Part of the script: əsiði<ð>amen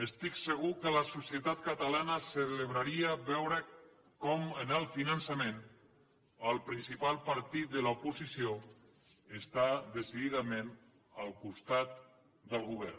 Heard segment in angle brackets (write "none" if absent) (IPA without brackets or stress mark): ð